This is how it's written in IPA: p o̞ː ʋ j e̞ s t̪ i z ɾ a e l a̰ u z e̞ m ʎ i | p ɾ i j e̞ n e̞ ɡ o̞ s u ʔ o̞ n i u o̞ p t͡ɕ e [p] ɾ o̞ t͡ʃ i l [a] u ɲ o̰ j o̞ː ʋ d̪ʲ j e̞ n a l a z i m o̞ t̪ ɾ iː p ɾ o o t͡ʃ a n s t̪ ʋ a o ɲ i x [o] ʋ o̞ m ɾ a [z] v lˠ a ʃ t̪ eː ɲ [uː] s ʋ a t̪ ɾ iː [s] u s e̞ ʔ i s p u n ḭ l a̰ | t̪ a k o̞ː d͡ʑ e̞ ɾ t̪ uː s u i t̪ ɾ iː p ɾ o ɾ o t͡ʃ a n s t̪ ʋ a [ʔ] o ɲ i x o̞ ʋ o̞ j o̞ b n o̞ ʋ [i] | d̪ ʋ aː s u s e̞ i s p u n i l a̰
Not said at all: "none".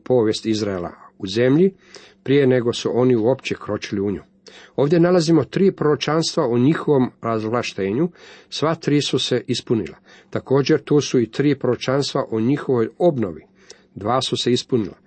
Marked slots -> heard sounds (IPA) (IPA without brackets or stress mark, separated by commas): k, i, o, z, u, s, ʔ, i